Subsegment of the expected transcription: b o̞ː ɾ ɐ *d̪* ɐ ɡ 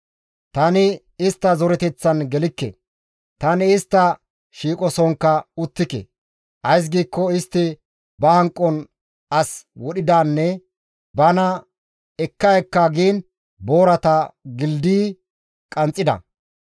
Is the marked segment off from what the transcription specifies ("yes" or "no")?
yes